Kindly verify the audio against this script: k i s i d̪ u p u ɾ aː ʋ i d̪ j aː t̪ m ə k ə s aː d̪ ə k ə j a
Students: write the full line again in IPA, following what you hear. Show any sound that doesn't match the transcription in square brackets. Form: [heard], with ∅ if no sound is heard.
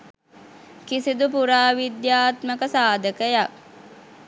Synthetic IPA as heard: k i s i d̪ u p u ɾ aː ʋ i d̪ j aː t̪ m ə k ə s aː d̪ ə k ə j a